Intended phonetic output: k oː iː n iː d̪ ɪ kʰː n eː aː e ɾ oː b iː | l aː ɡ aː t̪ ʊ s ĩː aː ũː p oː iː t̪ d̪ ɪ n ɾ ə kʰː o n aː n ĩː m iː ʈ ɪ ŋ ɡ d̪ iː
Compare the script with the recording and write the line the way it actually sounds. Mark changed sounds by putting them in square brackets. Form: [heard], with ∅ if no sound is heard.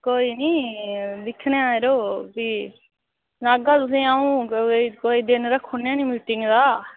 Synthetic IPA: k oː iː n iː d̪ ɪ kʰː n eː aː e ɾ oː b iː | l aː ɡ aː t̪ ʊ s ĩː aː ũː [k] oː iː [∅] d̪ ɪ n ɾ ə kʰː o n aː n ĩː m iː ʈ ɪ ŋ ɡ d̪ [aː]